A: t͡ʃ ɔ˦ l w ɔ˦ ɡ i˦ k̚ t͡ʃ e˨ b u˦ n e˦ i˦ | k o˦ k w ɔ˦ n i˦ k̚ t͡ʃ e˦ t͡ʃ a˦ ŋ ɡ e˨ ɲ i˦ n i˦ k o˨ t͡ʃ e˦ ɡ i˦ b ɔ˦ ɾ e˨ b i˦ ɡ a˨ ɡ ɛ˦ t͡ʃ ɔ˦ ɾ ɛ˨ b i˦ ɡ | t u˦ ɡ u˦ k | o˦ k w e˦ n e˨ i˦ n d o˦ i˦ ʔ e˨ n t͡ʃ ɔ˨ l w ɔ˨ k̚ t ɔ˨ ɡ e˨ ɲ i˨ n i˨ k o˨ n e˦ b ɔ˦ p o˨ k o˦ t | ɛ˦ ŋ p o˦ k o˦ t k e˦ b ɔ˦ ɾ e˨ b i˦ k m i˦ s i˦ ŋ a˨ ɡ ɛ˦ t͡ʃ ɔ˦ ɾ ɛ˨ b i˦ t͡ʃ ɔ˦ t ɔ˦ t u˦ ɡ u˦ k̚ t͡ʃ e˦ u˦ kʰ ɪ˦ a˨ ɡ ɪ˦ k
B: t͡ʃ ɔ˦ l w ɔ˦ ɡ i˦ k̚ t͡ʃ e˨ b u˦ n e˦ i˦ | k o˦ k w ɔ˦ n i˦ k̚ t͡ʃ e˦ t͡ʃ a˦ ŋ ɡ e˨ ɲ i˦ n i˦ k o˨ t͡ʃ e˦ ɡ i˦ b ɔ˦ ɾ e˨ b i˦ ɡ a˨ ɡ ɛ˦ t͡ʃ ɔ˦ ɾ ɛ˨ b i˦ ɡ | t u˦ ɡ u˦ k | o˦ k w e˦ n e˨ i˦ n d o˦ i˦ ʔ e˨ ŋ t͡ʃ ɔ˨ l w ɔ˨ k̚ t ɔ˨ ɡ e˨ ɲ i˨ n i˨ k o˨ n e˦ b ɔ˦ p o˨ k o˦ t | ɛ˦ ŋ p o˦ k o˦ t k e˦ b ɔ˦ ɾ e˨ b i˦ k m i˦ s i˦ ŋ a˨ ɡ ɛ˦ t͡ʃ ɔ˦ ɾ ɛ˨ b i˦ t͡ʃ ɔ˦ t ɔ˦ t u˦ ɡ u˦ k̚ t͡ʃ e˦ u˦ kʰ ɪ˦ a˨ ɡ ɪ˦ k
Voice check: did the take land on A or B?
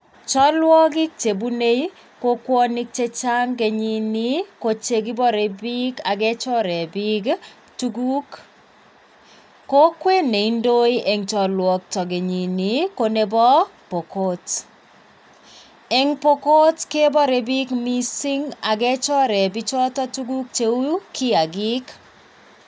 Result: B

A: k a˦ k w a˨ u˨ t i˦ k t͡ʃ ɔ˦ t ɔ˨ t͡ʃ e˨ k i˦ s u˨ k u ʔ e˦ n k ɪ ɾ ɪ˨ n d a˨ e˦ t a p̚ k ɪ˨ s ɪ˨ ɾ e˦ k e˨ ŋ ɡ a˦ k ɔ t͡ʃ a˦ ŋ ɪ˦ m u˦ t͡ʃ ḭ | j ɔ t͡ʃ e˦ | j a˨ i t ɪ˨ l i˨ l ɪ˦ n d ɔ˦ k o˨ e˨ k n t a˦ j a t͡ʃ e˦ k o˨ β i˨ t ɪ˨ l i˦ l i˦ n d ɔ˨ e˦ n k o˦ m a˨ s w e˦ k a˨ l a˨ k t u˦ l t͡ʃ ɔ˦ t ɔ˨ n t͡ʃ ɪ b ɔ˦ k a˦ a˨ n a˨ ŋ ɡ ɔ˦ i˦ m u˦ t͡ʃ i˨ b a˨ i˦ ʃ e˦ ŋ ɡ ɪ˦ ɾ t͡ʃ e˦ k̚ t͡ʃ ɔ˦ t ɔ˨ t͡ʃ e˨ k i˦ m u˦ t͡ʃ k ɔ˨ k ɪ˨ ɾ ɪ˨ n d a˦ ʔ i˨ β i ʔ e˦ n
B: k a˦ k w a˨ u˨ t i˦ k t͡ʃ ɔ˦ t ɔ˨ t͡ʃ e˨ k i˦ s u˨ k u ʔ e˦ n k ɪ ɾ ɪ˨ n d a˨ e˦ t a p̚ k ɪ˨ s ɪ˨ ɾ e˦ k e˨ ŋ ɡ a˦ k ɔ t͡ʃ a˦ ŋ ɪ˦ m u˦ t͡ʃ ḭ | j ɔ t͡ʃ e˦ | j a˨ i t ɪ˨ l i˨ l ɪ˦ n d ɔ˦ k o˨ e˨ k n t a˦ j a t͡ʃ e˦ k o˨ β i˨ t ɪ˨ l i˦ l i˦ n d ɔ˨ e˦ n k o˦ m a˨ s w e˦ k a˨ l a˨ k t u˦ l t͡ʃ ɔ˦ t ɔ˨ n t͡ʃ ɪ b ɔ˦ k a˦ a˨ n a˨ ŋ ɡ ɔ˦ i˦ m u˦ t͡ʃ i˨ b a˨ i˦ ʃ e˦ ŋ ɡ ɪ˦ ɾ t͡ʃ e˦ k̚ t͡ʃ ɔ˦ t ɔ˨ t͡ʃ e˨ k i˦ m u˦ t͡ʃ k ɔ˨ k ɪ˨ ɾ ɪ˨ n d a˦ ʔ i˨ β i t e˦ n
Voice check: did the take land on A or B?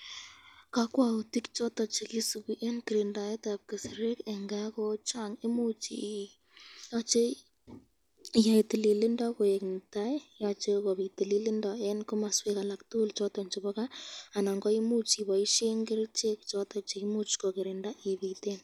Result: B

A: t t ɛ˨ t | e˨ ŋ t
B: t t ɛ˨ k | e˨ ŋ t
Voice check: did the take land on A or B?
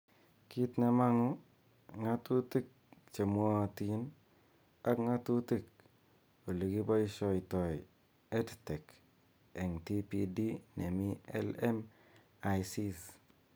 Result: B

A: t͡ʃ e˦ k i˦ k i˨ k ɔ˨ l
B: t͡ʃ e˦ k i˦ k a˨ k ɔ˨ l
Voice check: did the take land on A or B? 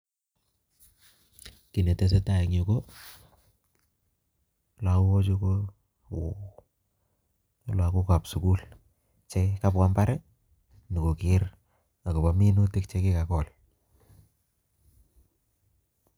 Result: B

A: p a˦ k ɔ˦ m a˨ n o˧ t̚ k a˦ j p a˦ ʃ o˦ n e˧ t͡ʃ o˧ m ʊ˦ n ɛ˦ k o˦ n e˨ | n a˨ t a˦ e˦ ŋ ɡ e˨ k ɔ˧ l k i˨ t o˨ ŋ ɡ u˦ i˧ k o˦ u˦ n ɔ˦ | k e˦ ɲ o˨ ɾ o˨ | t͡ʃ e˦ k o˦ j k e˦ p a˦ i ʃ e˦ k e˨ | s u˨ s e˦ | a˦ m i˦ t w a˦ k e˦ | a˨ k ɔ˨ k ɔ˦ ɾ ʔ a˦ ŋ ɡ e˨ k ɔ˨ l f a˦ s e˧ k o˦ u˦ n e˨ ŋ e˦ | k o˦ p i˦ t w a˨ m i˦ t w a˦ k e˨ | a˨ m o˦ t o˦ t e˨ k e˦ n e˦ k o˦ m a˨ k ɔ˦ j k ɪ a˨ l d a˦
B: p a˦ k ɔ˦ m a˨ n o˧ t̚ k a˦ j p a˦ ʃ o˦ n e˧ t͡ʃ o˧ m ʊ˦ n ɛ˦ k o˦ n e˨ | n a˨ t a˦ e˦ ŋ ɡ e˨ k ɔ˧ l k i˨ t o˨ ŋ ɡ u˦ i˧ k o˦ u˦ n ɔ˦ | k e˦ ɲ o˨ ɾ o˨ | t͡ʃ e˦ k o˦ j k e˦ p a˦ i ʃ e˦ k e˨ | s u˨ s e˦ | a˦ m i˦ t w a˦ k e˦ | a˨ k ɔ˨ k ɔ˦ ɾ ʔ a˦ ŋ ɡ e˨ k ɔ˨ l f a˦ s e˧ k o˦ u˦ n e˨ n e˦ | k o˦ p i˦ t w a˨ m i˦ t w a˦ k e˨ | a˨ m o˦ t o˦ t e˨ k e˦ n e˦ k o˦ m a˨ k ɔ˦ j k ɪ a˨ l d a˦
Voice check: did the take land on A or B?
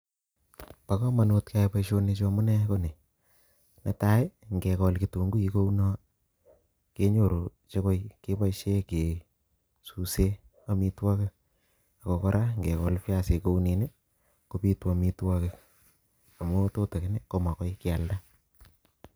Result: B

